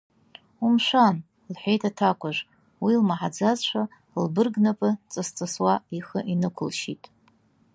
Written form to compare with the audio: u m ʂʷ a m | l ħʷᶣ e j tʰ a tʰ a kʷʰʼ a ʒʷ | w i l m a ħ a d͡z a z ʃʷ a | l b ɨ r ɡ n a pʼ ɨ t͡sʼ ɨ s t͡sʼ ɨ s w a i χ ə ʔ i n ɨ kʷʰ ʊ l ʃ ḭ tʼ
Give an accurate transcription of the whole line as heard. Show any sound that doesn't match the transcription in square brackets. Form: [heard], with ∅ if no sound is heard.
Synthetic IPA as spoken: u m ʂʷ a [n] | l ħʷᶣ e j tʰ a tʰ a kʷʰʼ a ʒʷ | w i l m a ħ a d͡z a z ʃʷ a | l b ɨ r ɡ n a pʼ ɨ t͡sʼ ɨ s t͡sʼ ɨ s w a i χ ə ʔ i n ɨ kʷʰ ʊ l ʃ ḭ tʼ